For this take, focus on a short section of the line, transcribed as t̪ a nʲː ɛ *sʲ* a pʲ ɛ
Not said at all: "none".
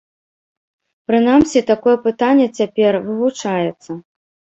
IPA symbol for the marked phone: t͡sʲ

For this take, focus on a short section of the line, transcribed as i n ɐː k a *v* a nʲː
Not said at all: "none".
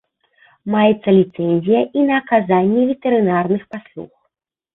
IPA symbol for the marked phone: z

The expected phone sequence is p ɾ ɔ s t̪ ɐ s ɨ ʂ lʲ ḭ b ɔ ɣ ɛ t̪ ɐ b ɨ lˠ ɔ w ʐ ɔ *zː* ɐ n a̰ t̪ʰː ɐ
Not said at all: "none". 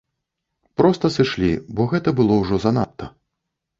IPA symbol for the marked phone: z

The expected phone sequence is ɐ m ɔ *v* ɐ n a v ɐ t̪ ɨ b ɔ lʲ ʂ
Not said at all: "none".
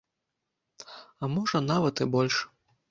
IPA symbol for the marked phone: ʐ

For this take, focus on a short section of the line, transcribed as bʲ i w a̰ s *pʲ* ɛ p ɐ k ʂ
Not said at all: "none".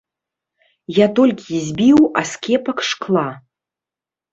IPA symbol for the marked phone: kʲ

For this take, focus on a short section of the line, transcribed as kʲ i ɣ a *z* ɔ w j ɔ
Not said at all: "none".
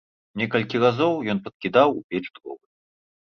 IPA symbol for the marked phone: z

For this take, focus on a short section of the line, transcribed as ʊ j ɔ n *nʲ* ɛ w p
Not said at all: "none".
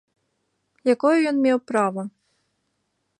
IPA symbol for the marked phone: mʲ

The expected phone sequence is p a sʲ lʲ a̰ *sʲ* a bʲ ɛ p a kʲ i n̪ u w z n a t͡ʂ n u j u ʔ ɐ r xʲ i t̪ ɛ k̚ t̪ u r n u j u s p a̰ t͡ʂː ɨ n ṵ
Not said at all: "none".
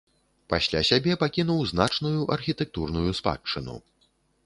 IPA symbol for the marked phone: sʲ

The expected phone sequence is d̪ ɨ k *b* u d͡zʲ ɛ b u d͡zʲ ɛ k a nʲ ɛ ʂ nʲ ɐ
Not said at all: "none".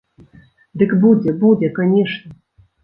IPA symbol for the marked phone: b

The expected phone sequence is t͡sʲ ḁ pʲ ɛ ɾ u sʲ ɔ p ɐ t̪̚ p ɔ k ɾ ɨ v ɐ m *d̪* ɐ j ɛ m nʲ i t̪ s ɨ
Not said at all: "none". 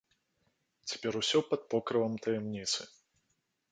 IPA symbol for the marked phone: t̪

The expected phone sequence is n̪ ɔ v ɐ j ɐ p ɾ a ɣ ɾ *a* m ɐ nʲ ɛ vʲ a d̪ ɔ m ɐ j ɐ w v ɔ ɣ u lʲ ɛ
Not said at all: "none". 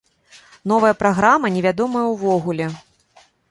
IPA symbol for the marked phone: a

